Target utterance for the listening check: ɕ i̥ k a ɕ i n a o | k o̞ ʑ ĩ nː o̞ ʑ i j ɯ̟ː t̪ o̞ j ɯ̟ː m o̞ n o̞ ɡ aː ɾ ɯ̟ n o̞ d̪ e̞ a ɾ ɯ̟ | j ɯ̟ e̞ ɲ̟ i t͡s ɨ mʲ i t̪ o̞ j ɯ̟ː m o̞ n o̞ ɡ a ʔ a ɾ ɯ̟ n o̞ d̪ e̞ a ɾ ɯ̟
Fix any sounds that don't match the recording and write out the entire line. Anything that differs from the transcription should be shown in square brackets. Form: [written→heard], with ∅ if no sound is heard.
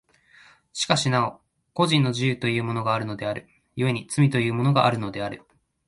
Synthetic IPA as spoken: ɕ i̥ k a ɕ i n a o | k o̞ ʑ ĩ nː o̞ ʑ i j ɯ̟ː t̪ o̞ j ɯ̟ː m o̞ n o̞ ɡ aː ɾ ɯ̟ n o̞ d̪ e̞ a ɾ ɯ̟ | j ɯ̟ e̞ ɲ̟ i t͡s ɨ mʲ i t̪ o̞ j ɯ̟ː m o̞ n o̞ ɡ a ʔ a ɾ ɯ̟ n o̞ d̪ e̞ a ɾ ɯ̟